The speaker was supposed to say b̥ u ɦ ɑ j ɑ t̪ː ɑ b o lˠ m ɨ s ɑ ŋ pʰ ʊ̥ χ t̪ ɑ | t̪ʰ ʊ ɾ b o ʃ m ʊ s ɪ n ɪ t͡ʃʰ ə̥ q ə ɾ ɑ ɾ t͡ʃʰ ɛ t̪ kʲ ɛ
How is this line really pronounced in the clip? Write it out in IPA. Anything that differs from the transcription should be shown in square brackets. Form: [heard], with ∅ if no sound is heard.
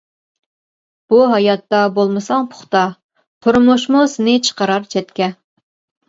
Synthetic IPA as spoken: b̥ u ɦ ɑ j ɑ t̪ː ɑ b o lˠ m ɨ s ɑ ŋ pʰ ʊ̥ χ t̪ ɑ | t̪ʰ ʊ ɾ [m] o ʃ m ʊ s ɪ n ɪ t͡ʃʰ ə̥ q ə ɾ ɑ ɾ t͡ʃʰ ɛ t̪ kʲ ɛ